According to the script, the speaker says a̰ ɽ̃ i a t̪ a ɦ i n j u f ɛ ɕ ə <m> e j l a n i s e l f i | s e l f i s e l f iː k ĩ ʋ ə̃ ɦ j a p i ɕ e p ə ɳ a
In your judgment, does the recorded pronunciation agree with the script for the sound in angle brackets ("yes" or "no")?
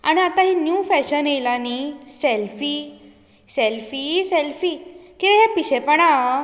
no